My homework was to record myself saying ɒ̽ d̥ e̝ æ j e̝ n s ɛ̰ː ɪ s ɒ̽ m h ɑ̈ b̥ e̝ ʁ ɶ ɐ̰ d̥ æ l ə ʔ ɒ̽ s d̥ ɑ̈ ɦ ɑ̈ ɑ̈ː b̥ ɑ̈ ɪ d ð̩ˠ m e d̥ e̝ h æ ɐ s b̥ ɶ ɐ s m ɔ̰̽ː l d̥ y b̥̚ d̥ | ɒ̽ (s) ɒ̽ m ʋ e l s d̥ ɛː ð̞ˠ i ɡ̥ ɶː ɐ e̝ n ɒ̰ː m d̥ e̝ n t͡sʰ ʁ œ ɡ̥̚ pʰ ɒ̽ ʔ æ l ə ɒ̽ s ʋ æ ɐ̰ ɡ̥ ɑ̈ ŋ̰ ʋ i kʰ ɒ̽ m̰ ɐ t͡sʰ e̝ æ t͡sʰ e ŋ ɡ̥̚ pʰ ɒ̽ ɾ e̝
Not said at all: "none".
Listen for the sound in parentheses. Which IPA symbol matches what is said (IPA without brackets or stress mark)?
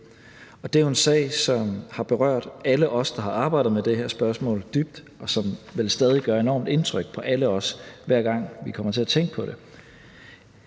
s